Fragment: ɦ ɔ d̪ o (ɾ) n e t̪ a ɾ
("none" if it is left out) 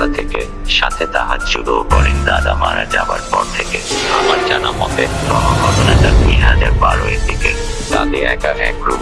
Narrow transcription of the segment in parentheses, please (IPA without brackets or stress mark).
none